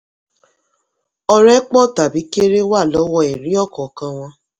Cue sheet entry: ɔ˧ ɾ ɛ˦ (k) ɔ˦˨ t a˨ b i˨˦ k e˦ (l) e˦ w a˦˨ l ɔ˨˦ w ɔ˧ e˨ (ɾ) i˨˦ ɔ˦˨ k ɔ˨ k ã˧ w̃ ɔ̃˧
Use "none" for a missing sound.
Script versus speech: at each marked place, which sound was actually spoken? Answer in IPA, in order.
k͡p, ɾ, ɾ

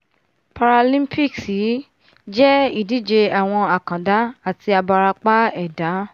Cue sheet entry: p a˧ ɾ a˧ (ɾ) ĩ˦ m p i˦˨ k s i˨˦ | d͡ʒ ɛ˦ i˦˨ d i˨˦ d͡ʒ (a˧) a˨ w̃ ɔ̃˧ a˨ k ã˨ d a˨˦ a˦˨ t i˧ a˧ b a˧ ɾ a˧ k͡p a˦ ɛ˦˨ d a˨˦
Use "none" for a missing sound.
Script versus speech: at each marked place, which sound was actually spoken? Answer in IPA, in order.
l, e˧

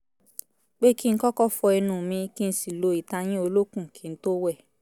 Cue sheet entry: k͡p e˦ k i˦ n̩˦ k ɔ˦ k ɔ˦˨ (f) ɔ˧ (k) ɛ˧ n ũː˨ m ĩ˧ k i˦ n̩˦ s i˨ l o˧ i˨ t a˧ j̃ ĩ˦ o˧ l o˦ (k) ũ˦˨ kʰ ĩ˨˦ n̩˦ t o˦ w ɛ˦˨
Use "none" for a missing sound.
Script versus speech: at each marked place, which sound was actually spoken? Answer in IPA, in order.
f, none, k

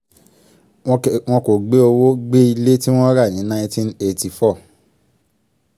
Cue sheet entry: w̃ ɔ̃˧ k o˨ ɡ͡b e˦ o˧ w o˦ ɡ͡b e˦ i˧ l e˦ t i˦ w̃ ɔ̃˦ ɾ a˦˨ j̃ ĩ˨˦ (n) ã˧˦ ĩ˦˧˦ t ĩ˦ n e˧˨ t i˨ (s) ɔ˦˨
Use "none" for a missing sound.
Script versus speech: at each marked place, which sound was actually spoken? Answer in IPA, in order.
n, f

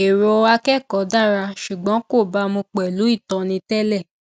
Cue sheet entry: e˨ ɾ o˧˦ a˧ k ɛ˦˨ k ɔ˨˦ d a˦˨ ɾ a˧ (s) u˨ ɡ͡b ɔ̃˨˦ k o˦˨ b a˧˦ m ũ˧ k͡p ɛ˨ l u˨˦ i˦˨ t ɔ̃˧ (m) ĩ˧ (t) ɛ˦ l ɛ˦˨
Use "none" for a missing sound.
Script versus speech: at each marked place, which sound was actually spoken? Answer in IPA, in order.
ʃ, n, t

